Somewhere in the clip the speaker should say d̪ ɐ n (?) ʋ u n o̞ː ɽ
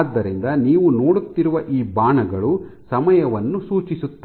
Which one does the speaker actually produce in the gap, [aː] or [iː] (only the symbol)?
iː